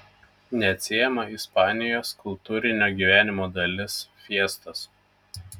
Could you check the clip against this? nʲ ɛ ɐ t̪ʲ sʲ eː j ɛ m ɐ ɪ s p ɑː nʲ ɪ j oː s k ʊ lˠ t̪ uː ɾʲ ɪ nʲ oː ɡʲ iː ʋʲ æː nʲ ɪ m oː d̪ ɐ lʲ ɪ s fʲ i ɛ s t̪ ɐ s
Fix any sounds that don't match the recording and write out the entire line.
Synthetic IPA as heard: nʲ ɛ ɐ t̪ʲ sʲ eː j ɛ m ɐ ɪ s p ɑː nʲ ɪ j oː s k ʊ lˠ t̪ uː ɾʲ ɪ nʲ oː ɡʲ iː ʋʲ æː nʲ ɪ m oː d̪ ɐ lʲ ɪ s fʲ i ɛ s t̪ ɐ s